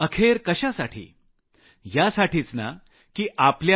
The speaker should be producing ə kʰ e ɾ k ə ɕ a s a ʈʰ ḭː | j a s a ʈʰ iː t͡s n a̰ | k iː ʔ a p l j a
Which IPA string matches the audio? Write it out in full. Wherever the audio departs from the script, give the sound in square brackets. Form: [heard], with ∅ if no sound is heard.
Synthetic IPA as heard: ə kʰ e ɾ k ə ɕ a s a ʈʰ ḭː | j a s a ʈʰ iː t͡s n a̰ | k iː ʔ a p l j a